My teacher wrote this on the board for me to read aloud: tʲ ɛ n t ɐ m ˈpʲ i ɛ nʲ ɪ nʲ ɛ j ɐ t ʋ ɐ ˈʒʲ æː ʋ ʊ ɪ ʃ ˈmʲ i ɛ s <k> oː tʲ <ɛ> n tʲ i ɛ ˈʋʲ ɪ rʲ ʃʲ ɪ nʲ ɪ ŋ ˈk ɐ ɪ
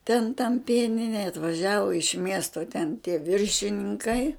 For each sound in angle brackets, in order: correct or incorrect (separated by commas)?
incorrect, correct